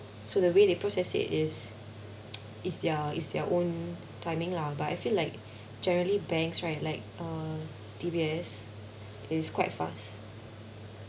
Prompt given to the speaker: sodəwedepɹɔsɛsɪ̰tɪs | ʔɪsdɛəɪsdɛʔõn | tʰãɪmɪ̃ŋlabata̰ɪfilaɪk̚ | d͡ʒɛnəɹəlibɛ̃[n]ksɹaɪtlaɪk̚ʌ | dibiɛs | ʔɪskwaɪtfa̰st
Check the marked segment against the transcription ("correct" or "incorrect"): incorrect